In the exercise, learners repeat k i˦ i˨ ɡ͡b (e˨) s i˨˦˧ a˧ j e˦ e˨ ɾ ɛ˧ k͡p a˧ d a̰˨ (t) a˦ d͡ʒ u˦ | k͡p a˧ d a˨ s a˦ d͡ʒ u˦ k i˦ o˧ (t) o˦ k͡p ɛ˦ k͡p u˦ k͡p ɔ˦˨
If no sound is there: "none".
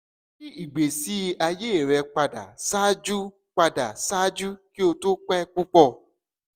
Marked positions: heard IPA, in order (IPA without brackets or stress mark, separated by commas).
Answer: e˨, s, t